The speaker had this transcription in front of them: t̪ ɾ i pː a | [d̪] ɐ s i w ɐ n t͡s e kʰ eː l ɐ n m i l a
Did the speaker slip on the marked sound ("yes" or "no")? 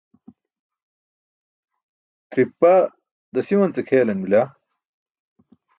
no